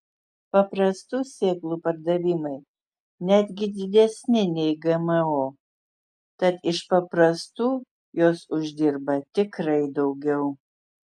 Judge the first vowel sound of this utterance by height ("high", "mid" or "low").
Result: low